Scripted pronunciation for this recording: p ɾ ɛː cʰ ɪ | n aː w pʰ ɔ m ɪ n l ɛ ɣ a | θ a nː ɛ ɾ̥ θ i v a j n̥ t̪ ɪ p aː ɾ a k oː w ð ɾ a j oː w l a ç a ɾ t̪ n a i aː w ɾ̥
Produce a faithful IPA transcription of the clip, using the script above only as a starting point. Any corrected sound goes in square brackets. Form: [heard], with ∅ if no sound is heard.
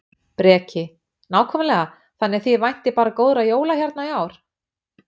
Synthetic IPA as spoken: p ɾ ɛː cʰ ɪ | n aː w [kʰ] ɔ m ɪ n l ɛ ɣ a | θ a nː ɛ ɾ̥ θ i v a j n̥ t̪ ɪ p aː ɾ a k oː w ð ɾ a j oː w l a ç a ɾ t̪ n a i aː w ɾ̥